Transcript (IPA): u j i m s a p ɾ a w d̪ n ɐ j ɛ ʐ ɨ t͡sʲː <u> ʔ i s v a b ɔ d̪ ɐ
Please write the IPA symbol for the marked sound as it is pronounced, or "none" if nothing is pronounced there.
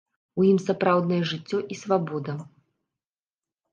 ɔ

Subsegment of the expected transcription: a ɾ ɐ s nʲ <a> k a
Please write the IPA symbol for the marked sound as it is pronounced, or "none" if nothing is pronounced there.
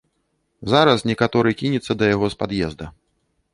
ɛ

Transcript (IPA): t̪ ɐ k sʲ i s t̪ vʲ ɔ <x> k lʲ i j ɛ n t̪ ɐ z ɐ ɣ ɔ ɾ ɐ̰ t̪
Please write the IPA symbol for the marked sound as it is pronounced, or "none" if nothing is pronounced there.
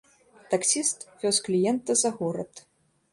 s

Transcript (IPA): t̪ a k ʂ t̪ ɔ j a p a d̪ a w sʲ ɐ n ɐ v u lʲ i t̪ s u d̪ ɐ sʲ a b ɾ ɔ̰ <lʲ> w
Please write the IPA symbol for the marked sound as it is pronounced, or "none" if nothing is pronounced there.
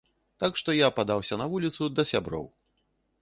none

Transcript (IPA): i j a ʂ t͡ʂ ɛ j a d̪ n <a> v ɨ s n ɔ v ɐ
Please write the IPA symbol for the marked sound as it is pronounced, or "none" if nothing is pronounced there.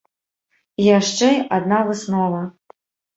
a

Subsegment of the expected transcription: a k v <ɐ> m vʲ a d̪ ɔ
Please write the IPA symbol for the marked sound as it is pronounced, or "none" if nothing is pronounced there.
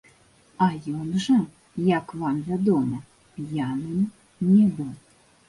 a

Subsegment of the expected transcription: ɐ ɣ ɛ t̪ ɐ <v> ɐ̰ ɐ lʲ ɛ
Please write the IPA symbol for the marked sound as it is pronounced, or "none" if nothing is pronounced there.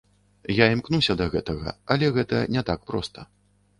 ɣ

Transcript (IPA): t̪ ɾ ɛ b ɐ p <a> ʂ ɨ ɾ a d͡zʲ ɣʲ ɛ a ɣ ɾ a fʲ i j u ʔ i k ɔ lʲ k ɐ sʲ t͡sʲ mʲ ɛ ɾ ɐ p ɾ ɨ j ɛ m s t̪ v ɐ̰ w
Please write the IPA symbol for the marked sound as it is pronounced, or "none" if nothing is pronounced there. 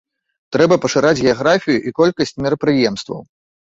ɐ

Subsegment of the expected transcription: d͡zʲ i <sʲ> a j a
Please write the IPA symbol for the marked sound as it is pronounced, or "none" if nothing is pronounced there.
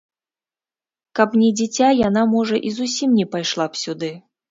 t͡sʲ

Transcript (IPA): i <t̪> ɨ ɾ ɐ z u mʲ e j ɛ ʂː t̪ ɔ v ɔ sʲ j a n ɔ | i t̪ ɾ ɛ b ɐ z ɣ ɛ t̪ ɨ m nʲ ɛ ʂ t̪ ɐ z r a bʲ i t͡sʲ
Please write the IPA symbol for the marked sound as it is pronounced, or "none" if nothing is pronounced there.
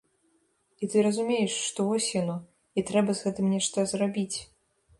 t̪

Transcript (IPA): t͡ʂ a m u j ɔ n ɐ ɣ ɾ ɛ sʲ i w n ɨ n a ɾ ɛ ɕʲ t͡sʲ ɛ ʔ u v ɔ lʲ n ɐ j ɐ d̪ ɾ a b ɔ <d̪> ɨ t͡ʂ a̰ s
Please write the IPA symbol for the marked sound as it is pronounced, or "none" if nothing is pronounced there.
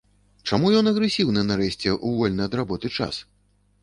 t̪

